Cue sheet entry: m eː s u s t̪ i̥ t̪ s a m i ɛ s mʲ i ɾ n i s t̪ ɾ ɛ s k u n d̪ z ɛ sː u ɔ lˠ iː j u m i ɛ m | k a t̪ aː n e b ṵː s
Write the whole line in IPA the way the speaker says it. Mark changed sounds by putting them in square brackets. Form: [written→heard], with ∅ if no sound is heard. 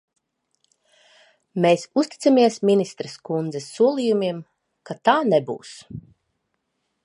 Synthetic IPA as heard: m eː s u s t̪ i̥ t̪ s a m i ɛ s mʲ i [ɾ→∅] n i s t̪ ɾ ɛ s k u n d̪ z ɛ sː u ɔ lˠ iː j u m i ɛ m | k a t̪ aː n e b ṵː s